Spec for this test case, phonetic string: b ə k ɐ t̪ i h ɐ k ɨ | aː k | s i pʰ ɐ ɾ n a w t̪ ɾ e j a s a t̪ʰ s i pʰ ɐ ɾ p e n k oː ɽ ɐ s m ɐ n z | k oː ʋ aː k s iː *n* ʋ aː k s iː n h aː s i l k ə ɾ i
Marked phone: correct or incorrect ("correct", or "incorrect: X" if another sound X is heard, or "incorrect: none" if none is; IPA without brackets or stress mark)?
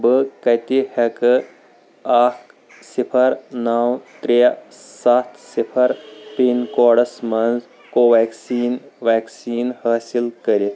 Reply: correct